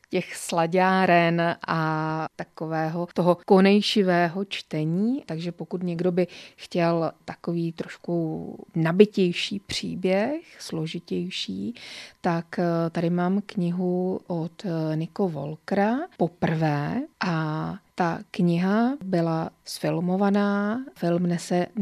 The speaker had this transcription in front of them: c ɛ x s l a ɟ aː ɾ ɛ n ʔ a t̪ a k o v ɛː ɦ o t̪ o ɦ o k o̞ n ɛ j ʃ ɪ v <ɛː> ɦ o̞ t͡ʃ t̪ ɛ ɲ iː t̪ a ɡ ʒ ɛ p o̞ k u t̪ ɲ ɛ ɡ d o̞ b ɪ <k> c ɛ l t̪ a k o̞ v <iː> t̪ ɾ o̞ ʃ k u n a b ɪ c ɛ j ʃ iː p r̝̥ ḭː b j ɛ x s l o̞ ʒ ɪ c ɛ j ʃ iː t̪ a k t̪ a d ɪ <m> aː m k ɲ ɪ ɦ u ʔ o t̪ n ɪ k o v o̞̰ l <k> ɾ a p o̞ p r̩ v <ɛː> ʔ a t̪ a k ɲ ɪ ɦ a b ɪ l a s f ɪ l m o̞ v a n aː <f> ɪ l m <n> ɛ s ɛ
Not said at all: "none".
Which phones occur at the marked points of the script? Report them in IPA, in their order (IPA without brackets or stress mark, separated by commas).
ɛː, x, iː, m, k, ɛː, f, n